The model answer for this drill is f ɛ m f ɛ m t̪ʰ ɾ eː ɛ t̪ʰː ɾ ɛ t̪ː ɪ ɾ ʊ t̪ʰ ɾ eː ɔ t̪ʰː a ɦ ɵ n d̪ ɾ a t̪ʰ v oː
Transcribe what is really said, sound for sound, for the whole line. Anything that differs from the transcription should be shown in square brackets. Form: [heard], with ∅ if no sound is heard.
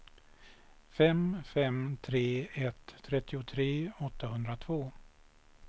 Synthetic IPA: f ɛ m f ɛ m t̪ʰ ɾ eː ɛ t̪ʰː ɾ ɛ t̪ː ɪ [∅] ʊ t̪ʰ ɾ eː ɔ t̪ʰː a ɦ ɵ n d̪ ɾ a t̪ʰ v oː